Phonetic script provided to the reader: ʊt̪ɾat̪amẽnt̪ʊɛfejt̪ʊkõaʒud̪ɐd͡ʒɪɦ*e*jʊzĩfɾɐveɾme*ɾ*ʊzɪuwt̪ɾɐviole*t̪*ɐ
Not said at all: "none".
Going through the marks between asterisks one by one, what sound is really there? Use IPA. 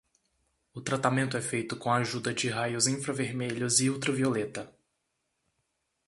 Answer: a, ʎ, t̪

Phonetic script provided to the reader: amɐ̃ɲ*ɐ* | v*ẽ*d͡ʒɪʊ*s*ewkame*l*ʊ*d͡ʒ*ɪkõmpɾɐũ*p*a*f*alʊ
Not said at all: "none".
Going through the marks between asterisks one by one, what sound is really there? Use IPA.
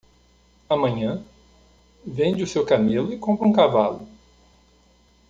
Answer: ɐ̃, ẽ, s, l, none, k, v

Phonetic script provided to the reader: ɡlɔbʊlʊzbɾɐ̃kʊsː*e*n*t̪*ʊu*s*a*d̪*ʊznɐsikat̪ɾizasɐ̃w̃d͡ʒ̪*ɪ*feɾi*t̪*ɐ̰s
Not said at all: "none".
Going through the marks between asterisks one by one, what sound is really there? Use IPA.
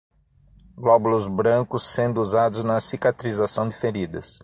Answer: ẽ, d̪, z, d̪, ɪ, d̪

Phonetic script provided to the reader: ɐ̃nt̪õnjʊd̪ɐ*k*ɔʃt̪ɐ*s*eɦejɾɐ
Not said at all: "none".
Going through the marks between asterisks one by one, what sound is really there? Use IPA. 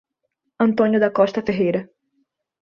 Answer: k, f

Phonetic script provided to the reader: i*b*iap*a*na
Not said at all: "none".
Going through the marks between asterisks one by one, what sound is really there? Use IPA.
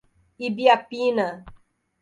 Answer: b, i

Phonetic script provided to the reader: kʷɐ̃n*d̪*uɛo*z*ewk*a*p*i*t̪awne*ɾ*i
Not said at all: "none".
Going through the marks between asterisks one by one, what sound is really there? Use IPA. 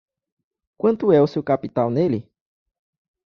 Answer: t̪, s, a, i, l

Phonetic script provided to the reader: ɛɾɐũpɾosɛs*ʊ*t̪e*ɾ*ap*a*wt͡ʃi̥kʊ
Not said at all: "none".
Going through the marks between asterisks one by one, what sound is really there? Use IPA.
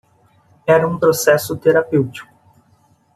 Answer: ʊ, ɾ, e

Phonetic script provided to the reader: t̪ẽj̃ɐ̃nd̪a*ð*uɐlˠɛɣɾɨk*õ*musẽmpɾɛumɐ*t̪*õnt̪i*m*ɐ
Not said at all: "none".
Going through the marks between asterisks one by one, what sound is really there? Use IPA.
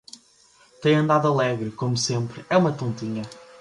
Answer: ð, o, t̪, ɲ

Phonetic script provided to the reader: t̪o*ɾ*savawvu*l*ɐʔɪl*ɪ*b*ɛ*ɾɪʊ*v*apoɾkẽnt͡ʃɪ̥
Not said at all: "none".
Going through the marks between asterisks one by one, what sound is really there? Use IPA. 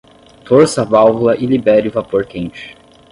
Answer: ɾ, l, i, ɛ, v

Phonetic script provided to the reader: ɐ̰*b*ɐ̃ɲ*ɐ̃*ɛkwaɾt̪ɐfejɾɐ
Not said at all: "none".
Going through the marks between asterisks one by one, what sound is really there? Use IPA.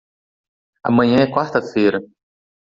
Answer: m, ɐ̃

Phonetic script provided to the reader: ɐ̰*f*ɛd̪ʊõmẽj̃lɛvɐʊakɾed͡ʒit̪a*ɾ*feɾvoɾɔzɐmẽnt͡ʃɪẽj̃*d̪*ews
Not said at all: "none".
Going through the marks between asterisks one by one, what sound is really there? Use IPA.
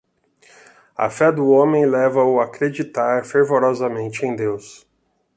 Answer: f, ɾ, d̪

